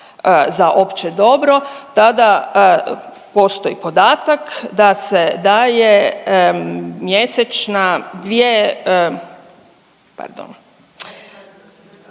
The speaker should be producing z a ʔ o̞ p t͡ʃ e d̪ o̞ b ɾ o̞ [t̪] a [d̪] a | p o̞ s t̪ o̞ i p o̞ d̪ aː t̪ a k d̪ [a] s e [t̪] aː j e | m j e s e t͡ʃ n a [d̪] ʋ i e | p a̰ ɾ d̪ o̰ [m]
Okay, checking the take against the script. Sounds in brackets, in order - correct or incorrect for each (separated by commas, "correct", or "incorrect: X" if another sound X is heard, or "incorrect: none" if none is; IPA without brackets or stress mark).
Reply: correct, correct, correct, incorrect: d̪, correct, incorrect: n